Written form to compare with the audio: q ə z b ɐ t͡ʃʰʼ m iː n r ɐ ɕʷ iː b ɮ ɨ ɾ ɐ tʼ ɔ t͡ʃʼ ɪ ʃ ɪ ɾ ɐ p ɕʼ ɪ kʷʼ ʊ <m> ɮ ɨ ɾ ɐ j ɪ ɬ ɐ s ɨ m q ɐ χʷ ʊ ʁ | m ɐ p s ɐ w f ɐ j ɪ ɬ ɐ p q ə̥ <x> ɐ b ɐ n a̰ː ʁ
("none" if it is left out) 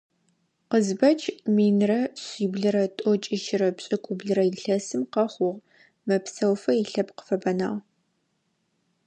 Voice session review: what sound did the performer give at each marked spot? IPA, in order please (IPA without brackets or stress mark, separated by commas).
b, f